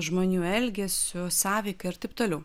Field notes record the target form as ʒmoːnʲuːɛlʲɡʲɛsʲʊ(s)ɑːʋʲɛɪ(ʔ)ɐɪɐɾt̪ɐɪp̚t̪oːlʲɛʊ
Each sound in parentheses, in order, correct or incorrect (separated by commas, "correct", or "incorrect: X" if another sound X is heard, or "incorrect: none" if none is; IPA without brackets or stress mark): correct, incorrect: k